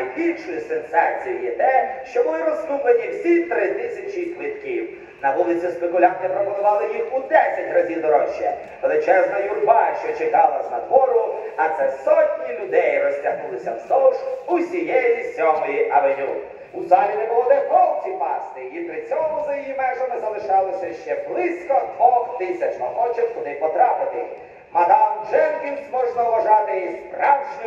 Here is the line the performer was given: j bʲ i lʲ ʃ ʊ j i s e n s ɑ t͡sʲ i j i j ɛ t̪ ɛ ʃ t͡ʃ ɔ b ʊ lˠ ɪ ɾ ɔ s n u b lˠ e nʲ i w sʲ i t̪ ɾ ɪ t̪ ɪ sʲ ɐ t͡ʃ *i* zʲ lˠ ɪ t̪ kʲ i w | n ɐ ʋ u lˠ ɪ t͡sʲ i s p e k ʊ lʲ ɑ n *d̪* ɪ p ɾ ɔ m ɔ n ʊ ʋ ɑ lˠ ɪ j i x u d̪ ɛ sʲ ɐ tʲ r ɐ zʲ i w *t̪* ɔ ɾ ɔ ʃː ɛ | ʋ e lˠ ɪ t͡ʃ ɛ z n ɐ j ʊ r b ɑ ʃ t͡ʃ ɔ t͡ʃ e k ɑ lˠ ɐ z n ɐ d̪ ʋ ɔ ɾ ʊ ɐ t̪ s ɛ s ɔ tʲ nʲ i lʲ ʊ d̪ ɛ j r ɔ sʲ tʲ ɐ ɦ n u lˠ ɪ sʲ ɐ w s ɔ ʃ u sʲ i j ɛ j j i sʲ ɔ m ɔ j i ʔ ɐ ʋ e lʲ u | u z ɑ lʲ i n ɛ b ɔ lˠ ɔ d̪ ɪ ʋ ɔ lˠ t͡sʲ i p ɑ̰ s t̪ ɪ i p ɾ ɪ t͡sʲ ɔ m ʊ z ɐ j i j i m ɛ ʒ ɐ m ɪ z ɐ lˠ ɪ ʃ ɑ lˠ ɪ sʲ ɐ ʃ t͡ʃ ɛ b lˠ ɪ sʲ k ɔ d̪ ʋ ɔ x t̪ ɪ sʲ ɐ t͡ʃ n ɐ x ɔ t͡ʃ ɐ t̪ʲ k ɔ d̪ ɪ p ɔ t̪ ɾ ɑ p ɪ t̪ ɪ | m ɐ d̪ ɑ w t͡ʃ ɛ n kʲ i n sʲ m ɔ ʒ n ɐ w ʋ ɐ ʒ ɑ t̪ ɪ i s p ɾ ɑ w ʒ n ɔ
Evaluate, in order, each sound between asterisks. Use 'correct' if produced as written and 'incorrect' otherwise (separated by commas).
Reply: correct, incorrect, incorrect